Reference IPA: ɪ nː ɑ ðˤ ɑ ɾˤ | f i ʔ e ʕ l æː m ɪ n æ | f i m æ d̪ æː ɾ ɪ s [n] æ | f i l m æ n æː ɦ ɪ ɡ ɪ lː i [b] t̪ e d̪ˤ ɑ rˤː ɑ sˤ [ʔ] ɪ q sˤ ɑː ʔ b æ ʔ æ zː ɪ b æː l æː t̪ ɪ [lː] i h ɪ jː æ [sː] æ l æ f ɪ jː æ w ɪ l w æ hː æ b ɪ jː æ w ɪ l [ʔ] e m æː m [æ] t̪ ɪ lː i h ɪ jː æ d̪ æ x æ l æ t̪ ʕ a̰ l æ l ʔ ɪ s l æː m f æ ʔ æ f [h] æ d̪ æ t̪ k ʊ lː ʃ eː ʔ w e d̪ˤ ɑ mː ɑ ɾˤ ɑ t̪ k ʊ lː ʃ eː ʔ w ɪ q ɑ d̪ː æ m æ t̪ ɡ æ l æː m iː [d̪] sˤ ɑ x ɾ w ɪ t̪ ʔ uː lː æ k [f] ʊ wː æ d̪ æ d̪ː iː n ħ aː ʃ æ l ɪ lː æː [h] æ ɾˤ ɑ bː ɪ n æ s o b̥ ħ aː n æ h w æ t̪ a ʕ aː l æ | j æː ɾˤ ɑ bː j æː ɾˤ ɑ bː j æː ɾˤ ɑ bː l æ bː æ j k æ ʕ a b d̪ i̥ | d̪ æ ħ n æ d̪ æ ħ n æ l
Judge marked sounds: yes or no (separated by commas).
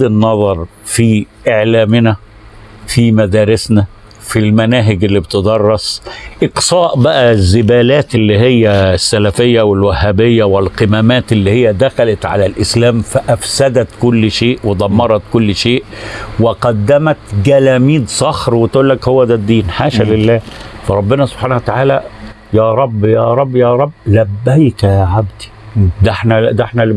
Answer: yes, yes, yes, yes, yes, no, no, no, yes, no, no